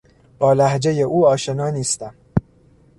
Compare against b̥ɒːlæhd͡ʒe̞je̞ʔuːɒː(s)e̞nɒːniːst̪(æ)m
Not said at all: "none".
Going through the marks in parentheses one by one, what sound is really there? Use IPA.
ʃ, æ

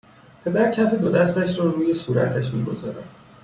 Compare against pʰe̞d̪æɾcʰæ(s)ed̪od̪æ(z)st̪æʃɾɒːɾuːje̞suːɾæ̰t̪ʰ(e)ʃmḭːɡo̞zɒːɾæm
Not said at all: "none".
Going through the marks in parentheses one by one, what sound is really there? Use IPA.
f, none, æ

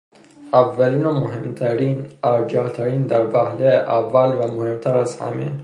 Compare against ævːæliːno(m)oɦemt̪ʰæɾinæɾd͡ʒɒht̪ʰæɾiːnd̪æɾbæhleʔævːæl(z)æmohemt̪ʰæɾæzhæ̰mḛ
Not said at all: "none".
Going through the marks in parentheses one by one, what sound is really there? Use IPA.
m, v

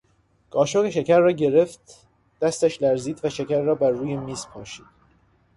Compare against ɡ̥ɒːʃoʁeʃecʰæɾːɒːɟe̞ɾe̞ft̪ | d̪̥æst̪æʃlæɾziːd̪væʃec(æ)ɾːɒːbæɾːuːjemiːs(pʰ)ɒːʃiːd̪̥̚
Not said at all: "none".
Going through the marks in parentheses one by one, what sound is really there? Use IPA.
æ, pʰ

